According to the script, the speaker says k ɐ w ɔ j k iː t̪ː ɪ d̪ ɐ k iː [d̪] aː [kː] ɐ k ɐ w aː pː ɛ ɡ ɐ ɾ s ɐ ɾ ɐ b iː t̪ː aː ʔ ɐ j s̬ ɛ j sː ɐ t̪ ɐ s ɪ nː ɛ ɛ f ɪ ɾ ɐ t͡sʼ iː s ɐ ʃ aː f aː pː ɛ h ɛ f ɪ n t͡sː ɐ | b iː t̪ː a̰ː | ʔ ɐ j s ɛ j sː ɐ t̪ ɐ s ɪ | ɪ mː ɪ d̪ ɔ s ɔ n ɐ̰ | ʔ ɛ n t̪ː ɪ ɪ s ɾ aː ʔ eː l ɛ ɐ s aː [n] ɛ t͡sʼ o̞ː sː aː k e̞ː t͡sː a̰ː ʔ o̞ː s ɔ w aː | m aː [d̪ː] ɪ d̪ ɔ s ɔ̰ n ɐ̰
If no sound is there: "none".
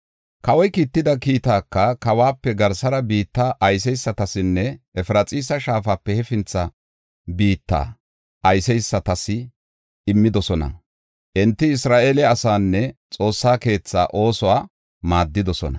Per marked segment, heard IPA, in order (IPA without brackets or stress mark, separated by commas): t̪, kː, nː, d̪ː